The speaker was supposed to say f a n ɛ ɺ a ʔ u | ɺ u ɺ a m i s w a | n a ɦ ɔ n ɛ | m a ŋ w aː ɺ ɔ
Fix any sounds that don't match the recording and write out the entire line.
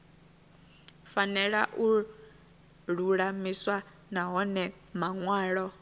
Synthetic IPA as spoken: f a n ɛ ɺ a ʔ u | ɺ u ɺ a m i s w a | n a ɦ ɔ n ɛ | m a ŋ w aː ɺ ɔ